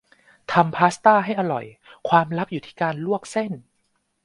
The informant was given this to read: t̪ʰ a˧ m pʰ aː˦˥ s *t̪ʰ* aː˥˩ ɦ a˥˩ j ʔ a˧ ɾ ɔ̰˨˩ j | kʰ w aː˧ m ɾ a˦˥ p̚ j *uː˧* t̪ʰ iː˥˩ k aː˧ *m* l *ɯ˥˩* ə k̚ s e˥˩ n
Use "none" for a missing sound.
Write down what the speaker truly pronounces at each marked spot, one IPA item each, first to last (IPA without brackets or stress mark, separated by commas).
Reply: t̪, uː˨˩, n, u˥˩